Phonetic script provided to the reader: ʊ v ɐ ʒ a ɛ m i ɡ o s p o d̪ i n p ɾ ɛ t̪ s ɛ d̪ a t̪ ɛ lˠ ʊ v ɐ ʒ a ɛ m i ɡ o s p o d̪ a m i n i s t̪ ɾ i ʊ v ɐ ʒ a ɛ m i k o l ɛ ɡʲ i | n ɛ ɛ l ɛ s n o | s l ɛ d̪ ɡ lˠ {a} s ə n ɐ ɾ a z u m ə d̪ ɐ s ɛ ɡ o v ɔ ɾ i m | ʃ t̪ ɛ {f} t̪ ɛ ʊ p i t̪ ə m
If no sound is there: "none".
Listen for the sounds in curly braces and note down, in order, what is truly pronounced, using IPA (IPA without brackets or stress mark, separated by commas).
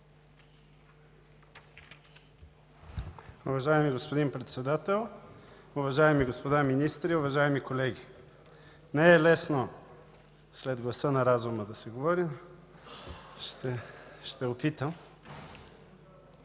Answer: ɐ, ʃ